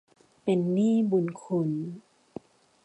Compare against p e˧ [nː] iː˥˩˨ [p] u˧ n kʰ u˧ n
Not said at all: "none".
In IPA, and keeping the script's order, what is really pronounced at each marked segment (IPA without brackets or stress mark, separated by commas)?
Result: nː, b